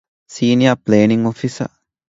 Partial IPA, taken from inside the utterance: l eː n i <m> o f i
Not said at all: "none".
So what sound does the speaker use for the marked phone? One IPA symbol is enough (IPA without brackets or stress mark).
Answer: ŋ